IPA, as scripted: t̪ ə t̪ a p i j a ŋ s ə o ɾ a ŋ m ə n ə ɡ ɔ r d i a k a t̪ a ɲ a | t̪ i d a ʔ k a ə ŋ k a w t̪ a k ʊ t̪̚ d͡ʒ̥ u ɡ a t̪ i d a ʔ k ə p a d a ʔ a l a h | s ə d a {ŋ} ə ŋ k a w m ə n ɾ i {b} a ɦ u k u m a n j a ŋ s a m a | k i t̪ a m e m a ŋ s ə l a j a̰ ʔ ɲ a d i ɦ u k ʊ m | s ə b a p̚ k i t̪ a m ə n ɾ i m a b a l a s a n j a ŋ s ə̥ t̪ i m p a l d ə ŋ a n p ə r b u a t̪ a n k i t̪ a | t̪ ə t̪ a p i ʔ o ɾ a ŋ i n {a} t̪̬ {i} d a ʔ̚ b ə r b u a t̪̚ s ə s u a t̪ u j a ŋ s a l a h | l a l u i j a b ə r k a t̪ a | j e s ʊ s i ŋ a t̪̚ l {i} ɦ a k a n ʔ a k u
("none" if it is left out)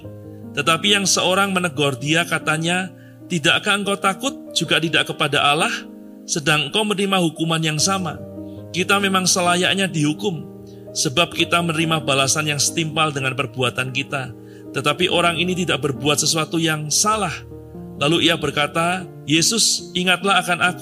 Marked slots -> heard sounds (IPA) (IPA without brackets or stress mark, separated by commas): ŋ, m, i, i, a